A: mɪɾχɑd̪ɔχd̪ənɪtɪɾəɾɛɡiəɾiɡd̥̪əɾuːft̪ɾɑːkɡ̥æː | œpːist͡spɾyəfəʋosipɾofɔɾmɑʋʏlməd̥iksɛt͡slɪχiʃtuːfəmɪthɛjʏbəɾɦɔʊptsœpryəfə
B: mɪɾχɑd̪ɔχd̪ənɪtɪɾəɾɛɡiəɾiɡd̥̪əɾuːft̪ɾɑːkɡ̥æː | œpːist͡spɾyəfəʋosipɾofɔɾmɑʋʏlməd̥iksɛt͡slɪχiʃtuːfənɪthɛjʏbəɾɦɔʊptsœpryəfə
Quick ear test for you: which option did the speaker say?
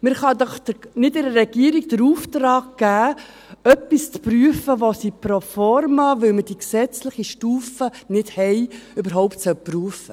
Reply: B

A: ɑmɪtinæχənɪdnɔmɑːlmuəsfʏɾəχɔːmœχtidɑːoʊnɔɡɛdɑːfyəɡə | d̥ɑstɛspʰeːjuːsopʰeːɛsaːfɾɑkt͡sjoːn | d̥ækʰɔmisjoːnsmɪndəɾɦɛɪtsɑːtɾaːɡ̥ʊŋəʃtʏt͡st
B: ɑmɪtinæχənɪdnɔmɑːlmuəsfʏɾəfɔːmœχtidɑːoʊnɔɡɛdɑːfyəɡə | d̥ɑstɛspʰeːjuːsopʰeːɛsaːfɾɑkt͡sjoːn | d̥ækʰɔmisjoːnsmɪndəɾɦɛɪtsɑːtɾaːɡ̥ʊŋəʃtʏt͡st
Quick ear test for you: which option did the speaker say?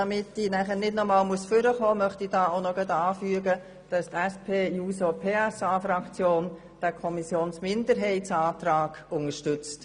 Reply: A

